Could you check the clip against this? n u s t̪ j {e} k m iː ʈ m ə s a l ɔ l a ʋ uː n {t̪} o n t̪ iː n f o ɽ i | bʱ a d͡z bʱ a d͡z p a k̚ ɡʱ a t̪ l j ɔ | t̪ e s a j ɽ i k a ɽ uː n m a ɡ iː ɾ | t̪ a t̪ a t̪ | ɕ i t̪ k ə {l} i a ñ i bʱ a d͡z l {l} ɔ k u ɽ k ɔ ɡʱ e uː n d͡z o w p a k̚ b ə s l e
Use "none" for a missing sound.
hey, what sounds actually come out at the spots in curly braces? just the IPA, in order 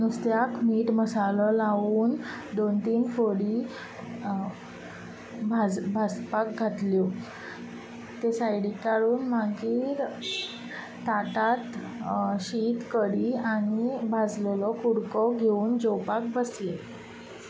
a, d̪, ɽ, l

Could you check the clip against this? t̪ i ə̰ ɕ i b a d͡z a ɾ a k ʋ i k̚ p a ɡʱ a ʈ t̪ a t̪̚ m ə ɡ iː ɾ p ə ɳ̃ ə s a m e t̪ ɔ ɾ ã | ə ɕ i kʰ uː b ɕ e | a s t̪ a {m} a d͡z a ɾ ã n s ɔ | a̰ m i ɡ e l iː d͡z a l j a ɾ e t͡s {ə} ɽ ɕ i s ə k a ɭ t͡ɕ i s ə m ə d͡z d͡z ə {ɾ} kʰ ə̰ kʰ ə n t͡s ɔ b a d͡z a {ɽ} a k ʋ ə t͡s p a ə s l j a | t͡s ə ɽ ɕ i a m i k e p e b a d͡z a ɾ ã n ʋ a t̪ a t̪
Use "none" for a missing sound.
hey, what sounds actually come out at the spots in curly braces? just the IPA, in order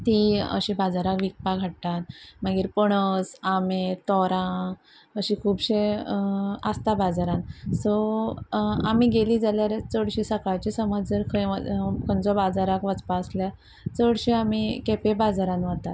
b, ə, ɾ, ɾ

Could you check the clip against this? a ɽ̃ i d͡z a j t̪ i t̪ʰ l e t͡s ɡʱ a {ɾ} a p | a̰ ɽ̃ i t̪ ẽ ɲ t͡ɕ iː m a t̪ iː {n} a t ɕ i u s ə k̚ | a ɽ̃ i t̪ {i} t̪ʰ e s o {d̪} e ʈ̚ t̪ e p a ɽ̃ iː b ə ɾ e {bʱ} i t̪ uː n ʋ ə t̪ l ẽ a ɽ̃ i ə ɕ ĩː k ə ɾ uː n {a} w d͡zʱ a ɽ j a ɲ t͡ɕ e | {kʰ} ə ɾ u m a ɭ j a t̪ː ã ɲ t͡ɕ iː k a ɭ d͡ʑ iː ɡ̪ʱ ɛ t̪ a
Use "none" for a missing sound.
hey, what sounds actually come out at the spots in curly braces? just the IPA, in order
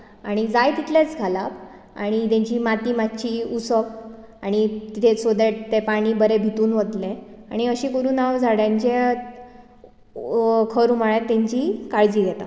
l, m, i, d̪, bʱ, a, kʰ

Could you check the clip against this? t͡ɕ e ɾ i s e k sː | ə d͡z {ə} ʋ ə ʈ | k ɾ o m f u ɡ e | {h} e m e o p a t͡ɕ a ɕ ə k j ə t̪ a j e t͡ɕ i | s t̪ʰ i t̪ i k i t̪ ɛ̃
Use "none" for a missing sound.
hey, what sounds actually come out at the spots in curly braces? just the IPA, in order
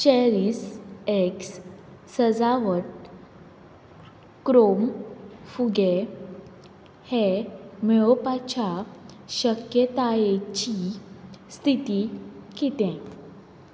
a, h

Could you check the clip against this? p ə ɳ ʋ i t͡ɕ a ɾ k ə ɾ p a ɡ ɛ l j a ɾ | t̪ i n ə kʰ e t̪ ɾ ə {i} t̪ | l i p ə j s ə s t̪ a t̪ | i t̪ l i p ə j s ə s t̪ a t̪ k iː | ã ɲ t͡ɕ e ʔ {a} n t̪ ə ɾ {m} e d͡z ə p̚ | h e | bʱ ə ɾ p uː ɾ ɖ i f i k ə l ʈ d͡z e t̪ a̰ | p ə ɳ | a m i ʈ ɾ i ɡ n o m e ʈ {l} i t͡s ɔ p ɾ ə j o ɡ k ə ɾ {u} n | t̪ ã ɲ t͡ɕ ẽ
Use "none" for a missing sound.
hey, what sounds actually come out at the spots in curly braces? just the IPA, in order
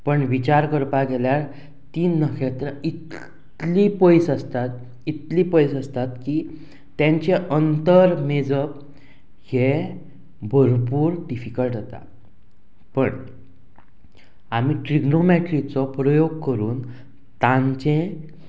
i, ə, m, ɾ, uː

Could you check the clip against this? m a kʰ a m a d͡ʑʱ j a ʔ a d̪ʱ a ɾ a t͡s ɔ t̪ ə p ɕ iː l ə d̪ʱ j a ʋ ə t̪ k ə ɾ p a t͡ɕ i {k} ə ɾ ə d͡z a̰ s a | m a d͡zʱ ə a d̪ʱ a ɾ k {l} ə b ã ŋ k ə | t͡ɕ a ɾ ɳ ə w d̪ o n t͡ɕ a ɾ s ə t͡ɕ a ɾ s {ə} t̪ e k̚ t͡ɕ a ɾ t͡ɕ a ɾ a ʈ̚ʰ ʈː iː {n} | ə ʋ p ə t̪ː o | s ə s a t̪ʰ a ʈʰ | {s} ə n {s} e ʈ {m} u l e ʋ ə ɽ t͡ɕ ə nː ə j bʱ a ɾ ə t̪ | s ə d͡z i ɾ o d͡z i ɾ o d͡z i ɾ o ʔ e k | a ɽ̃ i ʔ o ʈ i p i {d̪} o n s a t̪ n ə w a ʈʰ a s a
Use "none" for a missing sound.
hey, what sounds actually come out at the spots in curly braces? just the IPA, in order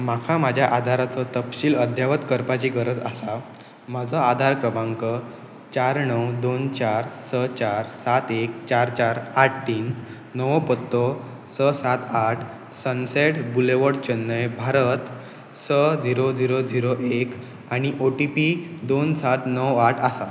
ɡ, ɾ, a, nː, s, s, b, d̪

